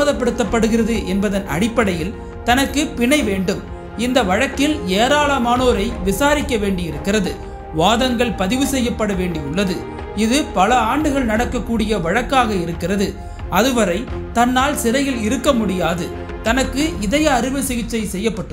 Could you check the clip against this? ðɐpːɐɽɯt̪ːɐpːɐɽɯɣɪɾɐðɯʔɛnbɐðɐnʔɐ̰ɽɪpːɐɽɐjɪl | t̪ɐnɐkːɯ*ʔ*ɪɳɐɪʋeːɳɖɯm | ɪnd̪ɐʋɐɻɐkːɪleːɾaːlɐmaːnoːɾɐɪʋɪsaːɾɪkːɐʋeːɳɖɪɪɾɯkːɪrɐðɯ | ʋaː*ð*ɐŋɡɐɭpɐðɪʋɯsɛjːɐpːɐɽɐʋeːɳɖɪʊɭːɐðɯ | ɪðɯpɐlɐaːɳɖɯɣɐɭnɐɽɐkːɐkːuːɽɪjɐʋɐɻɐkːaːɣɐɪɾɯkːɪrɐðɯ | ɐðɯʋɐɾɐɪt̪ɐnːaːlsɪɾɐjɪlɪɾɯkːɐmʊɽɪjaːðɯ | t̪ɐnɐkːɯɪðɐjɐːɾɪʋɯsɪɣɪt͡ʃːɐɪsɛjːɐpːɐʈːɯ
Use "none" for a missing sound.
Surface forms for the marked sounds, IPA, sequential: p, ð

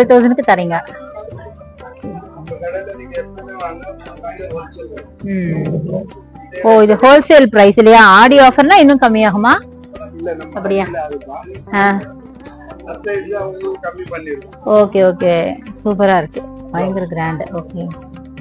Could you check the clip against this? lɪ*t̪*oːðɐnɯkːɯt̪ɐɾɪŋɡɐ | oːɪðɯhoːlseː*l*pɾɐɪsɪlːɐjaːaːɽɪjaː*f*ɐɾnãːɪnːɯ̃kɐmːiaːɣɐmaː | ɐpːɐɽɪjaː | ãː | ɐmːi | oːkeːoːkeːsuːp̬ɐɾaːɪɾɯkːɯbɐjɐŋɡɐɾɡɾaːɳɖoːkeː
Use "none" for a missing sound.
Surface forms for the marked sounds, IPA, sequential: t̪, l, f

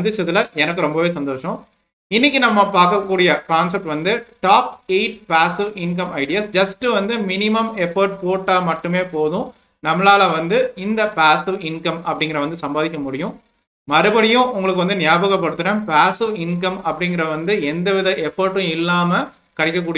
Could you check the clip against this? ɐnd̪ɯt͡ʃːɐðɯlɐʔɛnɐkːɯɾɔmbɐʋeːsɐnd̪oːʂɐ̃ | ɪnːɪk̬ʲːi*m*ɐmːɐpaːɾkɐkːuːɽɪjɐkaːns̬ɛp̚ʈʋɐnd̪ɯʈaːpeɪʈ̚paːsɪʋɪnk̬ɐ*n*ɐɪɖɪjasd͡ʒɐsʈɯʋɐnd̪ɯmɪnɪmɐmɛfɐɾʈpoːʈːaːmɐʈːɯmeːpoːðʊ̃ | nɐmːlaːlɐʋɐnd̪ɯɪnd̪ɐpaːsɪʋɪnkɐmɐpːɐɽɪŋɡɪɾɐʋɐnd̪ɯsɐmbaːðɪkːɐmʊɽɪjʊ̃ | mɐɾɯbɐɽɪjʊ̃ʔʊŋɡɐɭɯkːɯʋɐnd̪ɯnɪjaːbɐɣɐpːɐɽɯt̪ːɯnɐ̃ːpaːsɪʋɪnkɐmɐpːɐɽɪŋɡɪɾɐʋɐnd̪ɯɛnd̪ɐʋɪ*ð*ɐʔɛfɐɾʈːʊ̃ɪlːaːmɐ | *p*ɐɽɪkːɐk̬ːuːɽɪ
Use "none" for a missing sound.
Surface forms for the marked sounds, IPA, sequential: n, m, ð, k

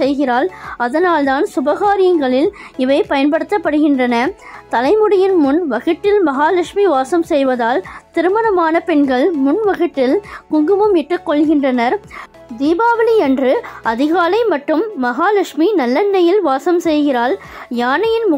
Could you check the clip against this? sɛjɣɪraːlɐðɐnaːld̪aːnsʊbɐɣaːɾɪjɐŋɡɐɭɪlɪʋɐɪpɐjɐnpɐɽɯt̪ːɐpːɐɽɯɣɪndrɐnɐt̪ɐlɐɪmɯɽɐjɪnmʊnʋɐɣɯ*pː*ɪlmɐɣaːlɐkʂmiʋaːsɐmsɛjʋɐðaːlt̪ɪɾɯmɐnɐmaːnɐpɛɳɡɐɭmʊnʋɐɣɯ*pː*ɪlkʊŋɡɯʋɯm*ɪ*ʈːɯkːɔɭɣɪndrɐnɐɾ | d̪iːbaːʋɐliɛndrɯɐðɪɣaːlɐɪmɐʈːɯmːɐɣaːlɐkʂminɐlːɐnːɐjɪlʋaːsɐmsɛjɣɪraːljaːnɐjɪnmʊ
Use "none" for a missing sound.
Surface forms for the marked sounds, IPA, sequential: ʈː, ʈː, ɪ

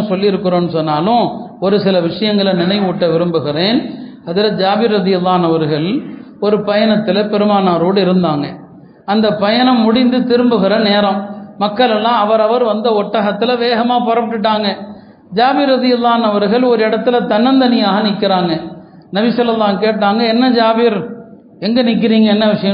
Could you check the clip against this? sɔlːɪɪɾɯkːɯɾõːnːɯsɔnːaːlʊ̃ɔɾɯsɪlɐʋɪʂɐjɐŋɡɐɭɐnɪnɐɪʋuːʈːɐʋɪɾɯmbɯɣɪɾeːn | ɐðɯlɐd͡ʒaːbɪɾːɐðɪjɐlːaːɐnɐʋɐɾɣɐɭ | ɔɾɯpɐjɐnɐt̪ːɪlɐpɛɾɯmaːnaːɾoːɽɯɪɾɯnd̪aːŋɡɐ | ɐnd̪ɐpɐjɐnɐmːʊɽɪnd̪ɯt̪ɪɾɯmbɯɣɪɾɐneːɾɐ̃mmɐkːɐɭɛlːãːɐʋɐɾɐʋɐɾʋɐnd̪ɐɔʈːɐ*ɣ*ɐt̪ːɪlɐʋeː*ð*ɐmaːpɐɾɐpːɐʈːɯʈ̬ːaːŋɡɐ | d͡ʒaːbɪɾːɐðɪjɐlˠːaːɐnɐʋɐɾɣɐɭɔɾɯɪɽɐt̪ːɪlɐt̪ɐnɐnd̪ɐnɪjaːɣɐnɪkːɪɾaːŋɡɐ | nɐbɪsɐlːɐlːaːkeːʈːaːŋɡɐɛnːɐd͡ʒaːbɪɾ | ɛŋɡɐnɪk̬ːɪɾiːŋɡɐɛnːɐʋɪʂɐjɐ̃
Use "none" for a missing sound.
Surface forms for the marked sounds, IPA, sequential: ɣ, ɣ

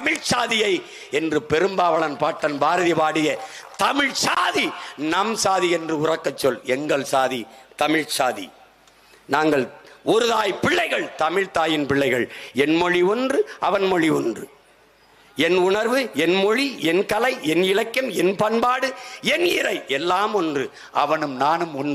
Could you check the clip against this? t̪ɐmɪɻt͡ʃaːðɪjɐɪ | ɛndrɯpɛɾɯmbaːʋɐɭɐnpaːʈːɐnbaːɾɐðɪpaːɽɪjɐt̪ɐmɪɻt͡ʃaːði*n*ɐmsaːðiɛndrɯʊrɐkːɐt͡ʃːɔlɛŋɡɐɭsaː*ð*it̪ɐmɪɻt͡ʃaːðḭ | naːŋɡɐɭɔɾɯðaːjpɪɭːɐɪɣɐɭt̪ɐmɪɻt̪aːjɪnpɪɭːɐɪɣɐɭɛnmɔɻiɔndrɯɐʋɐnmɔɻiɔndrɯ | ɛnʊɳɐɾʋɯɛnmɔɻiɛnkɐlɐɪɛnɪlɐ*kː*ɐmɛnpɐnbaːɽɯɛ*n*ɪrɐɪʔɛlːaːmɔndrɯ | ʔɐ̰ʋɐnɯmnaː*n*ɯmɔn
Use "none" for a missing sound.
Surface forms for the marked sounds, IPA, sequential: n, ð, kː, n, n

